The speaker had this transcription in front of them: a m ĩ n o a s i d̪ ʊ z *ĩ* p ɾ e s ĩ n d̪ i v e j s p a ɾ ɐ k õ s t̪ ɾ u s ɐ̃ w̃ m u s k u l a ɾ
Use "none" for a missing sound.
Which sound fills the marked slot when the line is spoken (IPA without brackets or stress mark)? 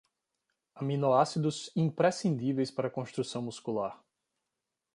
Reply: ĩ